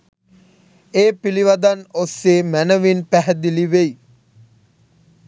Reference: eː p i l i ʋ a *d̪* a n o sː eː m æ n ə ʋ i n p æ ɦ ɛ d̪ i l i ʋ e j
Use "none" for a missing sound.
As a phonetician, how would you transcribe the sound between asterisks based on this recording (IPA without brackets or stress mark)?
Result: d̪